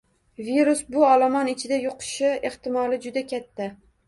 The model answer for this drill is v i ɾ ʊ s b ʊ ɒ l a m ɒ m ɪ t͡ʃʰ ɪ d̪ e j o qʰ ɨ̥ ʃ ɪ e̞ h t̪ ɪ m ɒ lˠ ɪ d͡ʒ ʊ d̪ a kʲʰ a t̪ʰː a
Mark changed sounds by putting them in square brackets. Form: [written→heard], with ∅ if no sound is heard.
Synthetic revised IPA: v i ɾ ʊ s b ʊ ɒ l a m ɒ [m→n] ɪ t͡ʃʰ ɪ d̪ [e→a] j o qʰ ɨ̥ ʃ ɪ e̞ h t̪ ɪ m ɒ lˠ ɪ d͡ʒ ʊ d̪ a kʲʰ a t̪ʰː a